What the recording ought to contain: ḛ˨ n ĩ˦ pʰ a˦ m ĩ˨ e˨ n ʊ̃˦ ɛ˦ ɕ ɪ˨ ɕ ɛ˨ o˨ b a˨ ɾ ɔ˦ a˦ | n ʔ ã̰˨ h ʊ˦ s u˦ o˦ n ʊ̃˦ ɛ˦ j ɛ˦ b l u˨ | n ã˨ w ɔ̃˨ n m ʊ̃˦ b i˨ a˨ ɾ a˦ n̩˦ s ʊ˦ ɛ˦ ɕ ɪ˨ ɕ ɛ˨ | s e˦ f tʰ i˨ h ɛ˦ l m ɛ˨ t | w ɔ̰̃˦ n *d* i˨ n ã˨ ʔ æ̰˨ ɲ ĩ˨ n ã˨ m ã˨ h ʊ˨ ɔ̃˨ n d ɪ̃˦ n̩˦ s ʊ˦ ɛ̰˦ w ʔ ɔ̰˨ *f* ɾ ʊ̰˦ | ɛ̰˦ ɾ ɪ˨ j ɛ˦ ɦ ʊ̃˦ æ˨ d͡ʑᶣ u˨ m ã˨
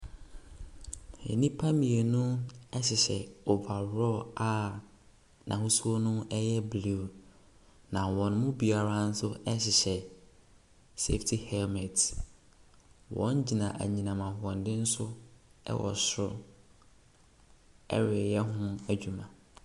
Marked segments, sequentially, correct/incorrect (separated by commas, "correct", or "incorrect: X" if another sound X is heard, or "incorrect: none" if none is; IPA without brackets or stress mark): incorrect: d͡ʑ, incorrect: s